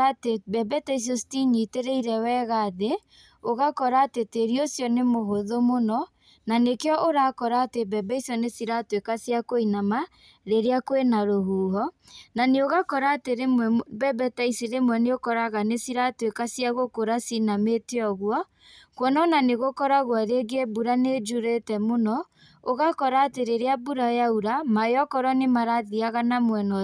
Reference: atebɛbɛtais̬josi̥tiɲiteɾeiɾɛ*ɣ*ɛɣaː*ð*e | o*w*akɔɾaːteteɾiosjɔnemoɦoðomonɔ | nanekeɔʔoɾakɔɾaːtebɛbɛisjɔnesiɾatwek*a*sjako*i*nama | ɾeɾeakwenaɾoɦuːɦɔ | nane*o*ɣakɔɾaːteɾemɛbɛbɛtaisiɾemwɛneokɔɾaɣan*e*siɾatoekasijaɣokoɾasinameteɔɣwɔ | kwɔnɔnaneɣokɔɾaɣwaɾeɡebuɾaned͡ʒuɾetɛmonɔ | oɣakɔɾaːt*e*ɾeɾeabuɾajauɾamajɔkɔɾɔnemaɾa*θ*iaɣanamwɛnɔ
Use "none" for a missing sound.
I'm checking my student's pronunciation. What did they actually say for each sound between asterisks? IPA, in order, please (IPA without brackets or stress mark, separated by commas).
w, ð, ɣ, a, i, o, e, e, ð